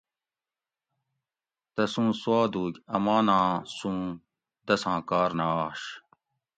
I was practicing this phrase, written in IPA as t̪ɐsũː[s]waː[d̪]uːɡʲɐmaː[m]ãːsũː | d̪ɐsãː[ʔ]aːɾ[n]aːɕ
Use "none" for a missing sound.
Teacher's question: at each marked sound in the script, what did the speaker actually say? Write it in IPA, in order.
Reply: s, d̪, n, k, n

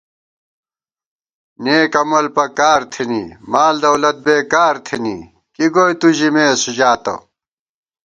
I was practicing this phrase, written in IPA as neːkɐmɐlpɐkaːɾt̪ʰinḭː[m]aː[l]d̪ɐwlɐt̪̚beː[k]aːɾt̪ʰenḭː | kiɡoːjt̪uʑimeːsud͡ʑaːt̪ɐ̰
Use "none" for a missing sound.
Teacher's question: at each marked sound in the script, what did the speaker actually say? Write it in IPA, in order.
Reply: m, l, k

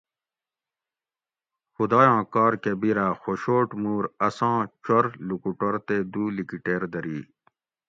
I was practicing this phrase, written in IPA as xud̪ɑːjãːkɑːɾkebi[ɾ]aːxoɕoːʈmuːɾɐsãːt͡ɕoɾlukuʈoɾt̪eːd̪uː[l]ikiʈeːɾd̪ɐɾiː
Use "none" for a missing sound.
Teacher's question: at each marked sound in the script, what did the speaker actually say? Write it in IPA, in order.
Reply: ɾ, l

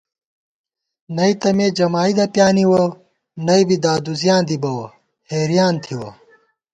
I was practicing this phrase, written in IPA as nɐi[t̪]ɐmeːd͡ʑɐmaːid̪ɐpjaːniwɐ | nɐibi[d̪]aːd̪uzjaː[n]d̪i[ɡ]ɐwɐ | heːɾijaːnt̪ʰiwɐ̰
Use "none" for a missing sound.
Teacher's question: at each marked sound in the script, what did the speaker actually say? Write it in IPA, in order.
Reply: t̪, d̪, n, b

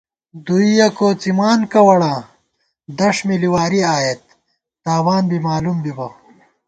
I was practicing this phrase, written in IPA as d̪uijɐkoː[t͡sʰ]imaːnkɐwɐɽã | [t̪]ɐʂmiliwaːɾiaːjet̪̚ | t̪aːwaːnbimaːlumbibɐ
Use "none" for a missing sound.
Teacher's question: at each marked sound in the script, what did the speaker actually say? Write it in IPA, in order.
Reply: t͡s, d̪

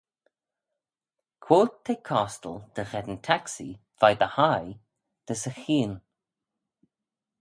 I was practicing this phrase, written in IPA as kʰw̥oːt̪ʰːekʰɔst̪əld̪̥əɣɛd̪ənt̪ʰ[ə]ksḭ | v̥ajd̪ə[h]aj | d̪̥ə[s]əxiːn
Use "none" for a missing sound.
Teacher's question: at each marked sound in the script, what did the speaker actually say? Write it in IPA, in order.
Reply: a, h, s

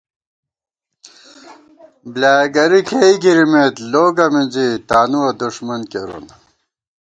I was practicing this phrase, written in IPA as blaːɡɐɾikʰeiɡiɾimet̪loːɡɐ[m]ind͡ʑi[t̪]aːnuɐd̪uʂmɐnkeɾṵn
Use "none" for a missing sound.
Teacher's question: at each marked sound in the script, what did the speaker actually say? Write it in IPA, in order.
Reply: m, t̪

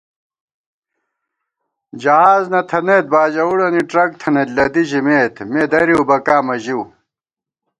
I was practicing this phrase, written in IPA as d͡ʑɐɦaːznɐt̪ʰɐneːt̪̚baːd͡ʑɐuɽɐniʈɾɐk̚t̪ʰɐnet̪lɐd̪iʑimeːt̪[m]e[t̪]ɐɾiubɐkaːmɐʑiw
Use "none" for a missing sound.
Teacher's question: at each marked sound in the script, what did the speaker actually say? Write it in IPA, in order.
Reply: m, d̪

